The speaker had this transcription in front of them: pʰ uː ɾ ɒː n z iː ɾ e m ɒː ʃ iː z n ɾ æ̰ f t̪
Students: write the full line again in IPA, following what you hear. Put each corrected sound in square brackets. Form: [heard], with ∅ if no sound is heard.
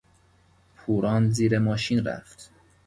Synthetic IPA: pʰ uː ɾ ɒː n z iː ɾ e m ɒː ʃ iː [∅] n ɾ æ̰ f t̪